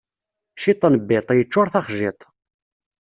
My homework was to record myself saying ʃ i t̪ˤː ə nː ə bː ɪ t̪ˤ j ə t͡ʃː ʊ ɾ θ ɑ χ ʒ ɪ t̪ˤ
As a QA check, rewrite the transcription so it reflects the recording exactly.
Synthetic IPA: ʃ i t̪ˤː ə n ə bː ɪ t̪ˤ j ə t͡ʃː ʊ ɾ θ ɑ χ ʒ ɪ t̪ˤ